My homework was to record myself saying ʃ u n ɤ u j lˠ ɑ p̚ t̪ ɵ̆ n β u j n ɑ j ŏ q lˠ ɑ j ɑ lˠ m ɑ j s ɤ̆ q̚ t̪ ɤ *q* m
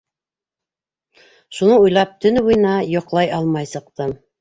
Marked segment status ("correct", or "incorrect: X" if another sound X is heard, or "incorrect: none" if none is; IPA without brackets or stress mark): incorrect: none